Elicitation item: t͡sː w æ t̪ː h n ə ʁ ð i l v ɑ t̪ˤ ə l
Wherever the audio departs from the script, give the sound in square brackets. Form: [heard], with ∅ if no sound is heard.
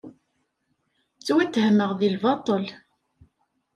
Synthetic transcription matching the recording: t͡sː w æ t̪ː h [m] ə ʁ ð i l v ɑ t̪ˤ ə l